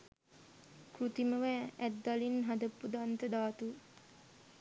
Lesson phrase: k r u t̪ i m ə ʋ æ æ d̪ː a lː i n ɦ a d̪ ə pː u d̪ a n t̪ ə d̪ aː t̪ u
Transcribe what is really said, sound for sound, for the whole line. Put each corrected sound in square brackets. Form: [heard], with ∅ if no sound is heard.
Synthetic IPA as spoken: k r u t̪ i m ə ʋ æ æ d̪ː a [l] i n ɦ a d̪ ə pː u d̪ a n t̪ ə d̪ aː t̪ u

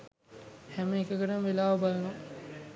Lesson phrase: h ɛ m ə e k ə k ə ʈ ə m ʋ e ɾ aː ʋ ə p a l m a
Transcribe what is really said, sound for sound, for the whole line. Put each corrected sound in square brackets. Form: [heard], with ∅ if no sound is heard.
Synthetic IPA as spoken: h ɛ m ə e k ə k ə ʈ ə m ʋ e [l] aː ʋ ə [b] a l [n] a

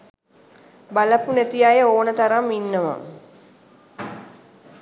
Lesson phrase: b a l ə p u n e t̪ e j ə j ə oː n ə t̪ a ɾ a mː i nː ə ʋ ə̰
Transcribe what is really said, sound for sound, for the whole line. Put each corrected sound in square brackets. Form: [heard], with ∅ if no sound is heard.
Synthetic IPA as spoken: b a l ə p u n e t̪ [i] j [a] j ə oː n ə t̪ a ɾ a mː i nː ə ʋ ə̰

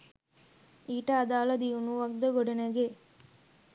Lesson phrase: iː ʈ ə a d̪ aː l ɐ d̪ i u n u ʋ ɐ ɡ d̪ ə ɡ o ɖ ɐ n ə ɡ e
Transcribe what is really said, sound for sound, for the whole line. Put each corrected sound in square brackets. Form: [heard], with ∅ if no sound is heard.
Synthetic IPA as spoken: iː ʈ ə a d̪ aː l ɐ d̪ i u n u ʋ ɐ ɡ d̪ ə ɡ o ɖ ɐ n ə ɡ e

